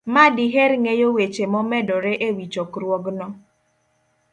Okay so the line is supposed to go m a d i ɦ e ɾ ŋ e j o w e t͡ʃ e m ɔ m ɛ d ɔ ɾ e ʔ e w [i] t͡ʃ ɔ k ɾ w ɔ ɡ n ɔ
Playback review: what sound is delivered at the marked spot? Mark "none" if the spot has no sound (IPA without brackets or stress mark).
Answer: i